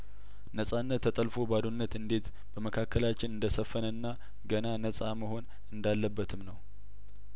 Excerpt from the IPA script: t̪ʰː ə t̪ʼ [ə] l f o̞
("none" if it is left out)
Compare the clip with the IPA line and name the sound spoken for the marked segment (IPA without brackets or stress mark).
ə